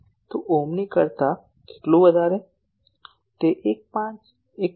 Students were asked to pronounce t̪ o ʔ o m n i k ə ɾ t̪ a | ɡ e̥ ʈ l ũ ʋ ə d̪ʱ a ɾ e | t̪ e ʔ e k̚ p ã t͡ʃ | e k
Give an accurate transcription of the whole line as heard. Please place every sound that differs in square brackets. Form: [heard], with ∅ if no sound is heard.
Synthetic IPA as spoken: t̪ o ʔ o m n i k ə ɾ t̪ a | [k] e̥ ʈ l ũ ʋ ə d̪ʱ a ɾ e | t̪ e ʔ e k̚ p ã t͡ʃ | e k